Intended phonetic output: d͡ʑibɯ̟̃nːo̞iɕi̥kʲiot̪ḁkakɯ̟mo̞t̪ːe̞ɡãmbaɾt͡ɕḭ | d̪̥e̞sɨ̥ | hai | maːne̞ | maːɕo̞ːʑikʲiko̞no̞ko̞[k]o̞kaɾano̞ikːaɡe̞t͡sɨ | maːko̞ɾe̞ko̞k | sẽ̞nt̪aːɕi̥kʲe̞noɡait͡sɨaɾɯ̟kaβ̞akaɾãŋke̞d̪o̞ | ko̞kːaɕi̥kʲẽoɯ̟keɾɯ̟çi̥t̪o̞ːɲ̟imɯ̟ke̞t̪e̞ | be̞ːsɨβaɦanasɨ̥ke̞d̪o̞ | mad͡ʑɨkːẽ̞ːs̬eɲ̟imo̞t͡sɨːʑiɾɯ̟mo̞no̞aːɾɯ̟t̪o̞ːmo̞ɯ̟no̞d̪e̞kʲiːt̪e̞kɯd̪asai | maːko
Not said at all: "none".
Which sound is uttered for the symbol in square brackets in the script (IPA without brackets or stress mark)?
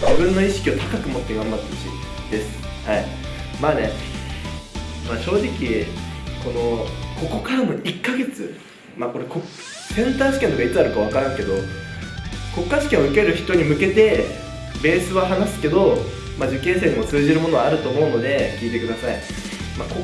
k